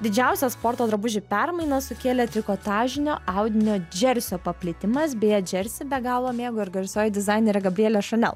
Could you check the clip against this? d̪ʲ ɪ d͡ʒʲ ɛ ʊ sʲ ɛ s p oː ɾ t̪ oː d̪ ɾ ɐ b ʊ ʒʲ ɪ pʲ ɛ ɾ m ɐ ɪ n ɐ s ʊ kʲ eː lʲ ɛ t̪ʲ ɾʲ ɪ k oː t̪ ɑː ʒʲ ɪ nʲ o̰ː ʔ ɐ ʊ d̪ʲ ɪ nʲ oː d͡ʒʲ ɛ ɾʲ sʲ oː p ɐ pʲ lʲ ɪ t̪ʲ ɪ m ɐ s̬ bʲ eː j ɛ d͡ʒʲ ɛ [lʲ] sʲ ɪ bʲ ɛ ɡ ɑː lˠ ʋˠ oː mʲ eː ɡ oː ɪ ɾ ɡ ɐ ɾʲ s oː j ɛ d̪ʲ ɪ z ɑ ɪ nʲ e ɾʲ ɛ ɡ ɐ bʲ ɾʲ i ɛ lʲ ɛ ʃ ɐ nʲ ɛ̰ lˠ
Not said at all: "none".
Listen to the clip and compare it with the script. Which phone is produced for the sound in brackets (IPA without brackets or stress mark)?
ɾʲ